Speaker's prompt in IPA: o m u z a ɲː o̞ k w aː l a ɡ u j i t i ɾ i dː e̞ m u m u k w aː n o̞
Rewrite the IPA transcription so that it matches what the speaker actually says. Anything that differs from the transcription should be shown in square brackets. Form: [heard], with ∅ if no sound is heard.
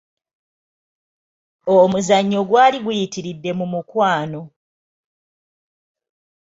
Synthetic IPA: o m u z a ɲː o̞ [ɡ] w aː l [i] ɡ u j i t i ɾ i dː e̞ m u m u k w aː n o̞